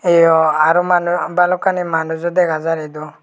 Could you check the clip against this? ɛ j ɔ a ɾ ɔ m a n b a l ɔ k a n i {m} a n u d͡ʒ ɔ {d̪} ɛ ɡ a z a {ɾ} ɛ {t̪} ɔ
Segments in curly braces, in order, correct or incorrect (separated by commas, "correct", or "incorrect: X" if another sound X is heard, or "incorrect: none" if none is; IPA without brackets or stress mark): correct, correct, correct, incorrect: d̪